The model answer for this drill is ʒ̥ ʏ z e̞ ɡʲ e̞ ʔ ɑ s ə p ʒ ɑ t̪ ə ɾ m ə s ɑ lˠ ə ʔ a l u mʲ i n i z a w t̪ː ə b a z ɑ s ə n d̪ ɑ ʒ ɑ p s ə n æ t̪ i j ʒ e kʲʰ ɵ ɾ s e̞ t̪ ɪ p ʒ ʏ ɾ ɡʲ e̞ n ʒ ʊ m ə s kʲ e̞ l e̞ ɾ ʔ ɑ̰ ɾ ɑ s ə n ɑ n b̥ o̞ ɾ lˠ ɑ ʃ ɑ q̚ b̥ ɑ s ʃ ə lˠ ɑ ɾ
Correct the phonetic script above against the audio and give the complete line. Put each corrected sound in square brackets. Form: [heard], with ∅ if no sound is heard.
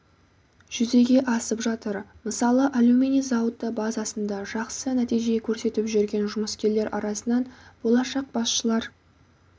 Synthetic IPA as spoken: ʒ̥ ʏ z e̞ ɡʲ e̞ ʔ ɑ s ə p ʒ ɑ t̪ ə ɾ m ə s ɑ lˠ ə ʔ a l u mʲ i n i z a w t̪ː ə b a z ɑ s ə n d̪ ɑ ʒ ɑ [q] s ə n æ t̪ i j ʒ e kʲʰ ɵ ɾ s e̞ t̪ ɪ p ʒ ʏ ɾ ɡʲ e̞ n ʒ ʊ m ə s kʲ e̞ l e̞ ɾ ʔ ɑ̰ ɾ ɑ s ə n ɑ n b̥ o̞ [∅] lˠ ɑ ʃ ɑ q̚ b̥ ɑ s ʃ ə lˠ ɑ ɾ

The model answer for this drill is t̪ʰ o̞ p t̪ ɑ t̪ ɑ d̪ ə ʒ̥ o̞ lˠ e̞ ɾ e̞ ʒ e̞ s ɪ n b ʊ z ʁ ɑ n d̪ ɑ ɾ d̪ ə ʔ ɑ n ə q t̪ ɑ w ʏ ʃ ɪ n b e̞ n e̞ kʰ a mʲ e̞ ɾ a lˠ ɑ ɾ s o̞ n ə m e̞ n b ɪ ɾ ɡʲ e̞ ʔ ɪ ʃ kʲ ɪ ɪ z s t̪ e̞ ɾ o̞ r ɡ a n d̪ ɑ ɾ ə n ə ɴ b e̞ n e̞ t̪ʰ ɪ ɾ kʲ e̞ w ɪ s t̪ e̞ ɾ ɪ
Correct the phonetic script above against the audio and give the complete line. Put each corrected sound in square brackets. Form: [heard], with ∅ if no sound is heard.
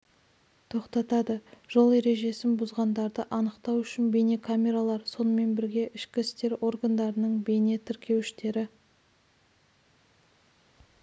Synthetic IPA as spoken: t̪ʰ o̞ [q] t̪ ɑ t̪ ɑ d̪ ə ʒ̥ o̞ lˠ e̞ ɾ e̞ ʒ e̞ s ɪ n b ʊ z ʁ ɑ n d̪ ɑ ɾ d̪ ə ʔ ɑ n ə q t̪ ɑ w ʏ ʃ ɪ n b e̞ n e̞ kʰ a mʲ e̞ ɾ a lˠ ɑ ɾ s o̞ n ə m e̞ n b ɪ ɾ ɡʲ e̞ ʔ ɪ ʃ kʲ ɪ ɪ [∅] s t̪ e̞ ɾ o̞ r ɡ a n d̪ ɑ ɾ ə n ə ɴ b e̞ n e̞ t̪ʰ ɪ ɾ kʲ e̞ w ɪ [ʃ] t̪ e̞ ɾ ɪ

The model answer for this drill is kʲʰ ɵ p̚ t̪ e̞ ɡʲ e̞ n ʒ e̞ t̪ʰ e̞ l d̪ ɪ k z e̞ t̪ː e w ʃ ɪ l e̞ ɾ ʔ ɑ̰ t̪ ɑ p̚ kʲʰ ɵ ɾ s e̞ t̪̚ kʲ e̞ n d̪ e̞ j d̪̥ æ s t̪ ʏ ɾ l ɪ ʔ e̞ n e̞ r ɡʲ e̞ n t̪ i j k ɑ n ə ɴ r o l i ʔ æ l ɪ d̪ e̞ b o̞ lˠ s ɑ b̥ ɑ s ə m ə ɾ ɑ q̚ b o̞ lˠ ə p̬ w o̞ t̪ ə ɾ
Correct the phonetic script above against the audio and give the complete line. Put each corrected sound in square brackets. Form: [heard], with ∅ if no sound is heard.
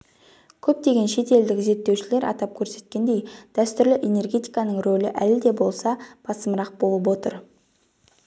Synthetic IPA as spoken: kʲʰ ɵ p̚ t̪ e̞ ɡʲ e̞ n [ʃ] e̞ [t̪] e̞ l d̪ ɪ k z e̞ t̪ː e w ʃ ɪ l e̞ ɾ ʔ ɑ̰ t̪ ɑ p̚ kʲʰ ɵ ɾ s e̞ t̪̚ kʲ e̞ n d̪ e̞ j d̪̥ æ s t̪ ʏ ɾ l ɪ ʔ e̞ n e̞ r ɡʲ e̞ [∅] t̪ i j k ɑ n ə ɴ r o l [ɪ] ʔ æ l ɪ d̪ e̞ b o̞ lˠ s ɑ b̥ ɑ s ə m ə ɾ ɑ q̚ b o̞ lˠ ə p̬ w o̞ t̪ ə ɾ

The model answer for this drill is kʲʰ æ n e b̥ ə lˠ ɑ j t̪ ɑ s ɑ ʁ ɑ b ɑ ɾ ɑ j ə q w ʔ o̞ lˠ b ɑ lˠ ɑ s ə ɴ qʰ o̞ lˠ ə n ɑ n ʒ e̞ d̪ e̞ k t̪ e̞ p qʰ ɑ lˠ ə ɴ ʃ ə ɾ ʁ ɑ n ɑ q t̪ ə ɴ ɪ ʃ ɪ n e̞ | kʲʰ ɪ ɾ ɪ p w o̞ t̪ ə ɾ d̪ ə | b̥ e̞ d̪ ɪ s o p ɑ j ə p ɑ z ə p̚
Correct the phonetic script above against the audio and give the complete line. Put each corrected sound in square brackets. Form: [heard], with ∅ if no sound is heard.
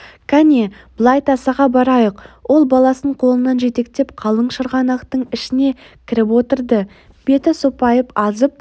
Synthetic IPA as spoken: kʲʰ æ n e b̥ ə lˠ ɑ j t̪ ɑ s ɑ ʁ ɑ b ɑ ɾ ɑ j ə q w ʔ o̞ lˠ b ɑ lˠ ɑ s ə ɴ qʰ o̞ lˠ ə n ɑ n ʒ e̞ [t̪] e̞ k t̪ e̞ p qʰ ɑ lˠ ə ɴ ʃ ə ɾ ʁ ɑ n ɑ q t̪ ə ɴ ɪ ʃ ɪ n e̞ | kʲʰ ɪ ɾ ɪ p w o̞ t̪ ə ɾ d̪ ə | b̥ e̞ [t̪] ɪ s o p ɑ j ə p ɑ z ə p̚

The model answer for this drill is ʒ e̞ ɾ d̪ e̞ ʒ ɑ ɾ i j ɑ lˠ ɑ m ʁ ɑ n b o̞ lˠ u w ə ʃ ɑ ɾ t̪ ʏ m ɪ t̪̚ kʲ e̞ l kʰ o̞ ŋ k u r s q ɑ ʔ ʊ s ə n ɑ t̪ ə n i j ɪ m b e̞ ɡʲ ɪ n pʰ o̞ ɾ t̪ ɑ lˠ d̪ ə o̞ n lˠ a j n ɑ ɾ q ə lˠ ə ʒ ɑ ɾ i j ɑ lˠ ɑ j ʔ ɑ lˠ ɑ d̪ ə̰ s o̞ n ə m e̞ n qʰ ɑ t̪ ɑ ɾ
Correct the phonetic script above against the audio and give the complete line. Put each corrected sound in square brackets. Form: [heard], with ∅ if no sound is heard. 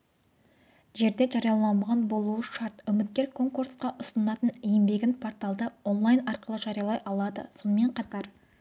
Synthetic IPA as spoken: ʒ e̞ ɾ d̪ e̞ ʒ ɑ ɾ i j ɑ lˠ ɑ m ʁ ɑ n b o̞ lˠ u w ə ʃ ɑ ɾ t̪ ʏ m ɪ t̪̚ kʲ e̞ [ɾ] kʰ o̞ ŋ k u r s q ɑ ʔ ʊ s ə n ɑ t̪ ə n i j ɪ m b e̞ ɡʲ ɪ n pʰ o̞ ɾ t̪ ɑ lˠ d̪ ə o̞ n lˠ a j n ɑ ɾ q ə lˠ ə ʒ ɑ ɾ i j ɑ lˠ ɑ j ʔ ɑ lˠ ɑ d̪ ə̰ s o̞ n ə m e̞ [ɴ] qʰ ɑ t̪ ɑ ɾ

